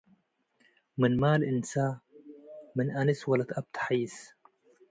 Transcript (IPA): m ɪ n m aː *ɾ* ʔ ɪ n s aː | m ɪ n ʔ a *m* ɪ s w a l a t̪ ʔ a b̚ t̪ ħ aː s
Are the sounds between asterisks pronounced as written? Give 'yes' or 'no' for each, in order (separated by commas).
no, no